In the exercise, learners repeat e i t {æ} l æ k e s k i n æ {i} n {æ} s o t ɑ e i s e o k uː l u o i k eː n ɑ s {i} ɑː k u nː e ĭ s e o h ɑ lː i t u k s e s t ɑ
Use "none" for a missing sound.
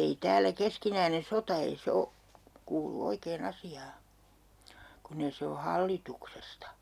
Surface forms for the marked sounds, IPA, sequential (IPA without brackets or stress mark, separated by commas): æː, i, e, i